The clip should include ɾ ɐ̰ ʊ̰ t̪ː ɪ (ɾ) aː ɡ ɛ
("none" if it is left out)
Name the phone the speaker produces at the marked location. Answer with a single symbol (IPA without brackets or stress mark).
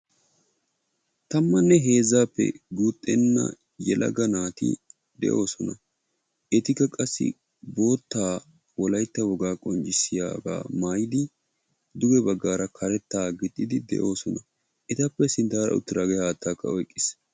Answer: ɾ